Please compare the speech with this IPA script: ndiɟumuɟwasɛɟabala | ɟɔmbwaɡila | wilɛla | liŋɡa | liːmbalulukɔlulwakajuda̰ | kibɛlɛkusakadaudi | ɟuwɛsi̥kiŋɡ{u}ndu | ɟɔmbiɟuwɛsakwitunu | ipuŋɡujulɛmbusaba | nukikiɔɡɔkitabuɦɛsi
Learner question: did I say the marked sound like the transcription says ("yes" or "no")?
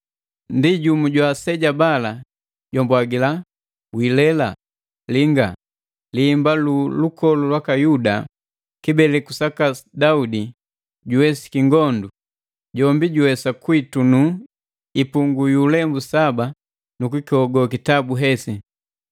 no